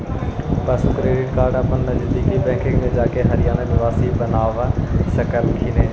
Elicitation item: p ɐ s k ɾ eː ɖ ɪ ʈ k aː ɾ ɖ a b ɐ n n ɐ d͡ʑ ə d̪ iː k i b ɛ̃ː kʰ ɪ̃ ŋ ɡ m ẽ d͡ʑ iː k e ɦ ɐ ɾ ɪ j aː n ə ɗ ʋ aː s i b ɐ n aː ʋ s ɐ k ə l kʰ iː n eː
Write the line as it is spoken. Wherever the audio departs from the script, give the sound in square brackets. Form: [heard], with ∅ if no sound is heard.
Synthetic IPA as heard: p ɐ s k ɾ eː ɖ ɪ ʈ k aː ɾ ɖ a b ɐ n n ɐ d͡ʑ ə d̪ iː k i b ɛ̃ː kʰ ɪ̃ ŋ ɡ m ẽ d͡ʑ [aː] k e ɦ ɐ ɾ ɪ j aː n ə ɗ ʋ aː s i b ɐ n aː ʋ s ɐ k ə l kʰ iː n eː